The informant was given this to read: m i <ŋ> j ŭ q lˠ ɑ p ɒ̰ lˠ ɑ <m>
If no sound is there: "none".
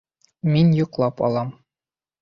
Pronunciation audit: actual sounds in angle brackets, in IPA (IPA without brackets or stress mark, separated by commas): n, m